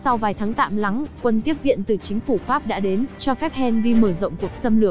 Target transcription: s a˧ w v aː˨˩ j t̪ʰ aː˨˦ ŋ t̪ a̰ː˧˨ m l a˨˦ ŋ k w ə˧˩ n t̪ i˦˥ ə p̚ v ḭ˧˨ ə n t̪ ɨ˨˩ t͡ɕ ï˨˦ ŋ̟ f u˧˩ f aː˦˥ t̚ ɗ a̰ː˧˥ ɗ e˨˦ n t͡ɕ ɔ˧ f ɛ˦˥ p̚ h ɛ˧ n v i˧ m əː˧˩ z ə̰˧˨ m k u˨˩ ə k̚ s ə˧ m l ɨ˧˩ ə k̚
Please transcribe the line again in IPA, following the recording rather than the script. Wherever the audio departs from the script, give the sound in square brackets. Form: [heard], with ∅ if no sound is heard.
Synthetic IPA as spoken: s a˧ w v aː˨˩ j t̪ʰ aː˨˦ ŋ t̪ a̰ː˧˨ m l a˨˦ ŋ k w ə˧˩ n t̪ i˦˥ ə p̚ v ḭ˧˨ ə n t̪ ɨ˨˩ t͡ɕ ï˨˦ ŋ̟ f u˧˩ f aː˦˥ [p̚] ɗ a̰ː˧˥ ɗ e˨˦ n t͡ɕ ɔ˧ f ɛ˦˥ p̚ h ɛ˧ n v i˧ m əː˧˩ z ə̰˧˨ [ŋ͡m] k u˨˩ ə k̚ s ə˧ m l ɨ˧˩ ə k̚